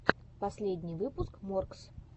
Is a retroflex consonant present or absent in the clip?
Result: absent